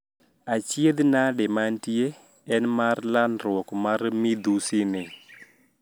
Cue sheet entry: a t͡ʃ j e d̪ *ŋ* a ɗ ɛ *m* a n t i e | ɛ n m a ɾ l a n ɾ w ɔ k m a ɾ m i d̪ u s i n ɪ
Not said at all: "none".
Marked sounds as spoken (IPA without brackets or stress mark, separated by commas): n, m